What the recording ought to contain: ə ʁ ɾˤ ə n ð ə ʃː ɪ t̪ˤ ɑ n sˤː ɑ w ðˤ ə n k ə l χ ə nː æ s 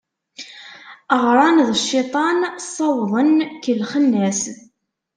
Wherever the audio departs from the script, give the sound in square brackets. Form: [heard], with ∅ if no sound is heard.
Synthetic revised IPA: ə ʁ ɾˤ [ɑ] n ð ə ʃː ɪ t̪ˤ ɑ n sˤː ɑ w ðˤ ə n k ə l χ ə nː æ s